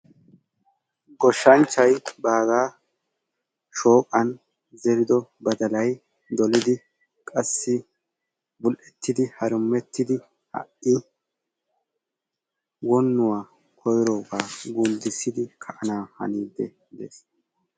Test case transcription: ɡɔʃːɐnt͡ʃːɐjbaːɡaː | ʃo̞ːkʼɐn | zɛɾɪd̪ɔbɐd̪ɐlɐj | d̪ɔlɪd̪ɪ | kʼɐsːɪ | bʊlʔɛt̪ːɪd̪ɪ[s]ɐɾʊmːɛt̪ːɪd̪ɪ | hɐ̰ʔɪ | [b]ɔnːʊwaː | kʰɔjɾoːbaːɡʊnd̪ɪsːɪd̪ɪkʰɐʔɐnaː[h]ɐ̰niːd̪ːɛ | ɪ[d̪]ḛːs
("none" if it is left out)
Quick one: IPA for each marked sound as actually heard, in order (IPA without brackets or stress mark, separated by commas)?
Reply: h, w, h, d̪